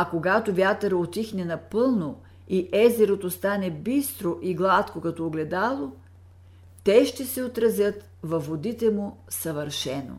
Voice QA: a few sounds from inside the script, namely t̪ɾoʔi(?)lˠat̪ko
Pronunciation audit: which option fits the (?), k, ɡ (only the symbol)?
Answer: ɡ